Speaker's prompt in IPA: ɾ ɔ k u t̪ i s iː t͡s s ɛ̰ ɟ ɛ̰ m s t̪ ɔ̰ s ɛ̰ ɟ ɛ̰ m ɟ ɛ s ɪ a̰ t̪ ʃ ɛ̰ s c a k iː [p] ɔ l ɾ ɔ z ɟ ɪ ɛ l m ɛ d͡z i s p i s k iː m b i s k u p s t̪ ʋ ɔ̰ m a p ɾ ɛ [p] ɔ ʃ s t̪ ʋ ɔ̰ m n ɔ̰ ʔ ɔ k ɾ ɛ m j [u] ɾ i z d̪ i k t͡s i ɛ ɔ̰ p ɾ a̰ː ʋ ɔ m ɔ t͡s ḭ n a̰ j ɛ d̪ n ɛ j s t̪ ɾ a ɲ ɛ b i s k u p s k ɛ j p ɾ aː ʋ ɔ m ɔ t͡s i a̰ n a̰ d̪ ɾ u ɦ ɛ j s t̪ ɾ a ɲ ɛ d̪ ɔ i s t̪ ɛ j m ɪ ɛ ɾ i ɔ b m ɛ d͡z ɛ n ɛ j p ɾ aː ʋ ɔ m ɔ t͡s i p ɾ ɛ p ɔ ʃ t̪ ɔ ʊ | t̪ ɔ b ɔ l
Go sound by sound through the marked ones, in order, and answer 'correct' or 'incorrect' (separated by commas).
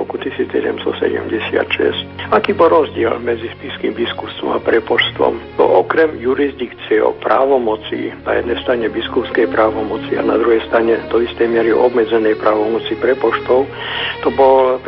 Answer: incorrect, correct, correct